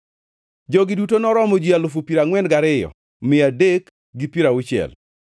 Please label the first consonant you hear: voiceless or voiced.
voiced